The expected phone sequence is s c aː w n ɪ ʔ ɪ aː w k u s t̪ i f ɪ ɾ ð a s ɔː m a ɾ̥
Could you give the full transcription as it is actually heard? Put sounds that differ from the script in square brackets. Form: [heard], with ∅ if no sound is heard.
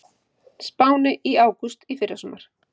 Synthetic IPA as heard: s [p] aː w n ɪ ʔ [i] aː w k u s t̪ i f ɪ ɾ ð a s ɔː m a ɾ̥